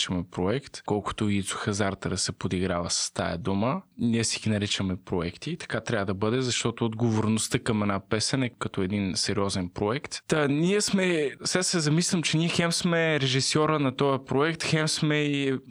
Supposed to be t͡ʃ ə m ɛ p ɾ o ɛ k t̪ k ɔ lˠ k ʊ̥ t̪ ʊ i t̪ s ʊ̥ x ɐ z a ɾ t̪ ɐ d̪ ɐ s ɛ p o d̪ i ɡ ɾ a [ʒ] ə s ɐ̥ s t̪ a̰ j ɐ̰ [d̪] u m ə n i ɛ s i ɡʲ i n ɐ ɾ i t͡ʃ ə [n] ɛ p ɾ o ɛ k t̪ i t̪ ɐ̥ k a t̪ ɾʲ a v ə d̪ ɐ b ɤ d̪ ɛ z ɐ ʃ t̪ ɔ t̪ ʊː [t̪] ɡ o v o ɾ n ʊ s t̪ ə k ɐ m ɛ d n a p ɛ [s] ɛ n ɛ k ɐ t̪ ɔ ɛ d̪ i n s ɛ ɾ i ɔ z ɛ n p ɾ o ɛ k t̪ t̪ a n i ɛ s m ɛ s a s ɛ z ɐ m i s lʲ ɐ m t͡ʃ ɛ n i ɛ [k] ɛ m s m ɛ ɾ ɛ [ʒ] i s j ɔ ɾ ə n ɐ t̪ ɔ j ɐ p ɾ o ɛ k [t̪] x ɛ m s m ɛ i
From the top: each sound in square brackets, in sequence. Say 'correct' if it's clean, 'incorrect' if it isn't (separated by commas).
incorrect, correct, incorrect, incorrect, correct, incorrect, correct, correct